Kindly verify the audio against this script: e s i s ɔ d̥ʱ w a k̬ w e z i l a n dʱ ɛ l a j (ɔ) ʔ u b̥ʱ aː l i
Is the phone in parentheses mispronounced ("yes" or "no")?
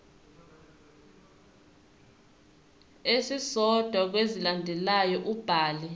no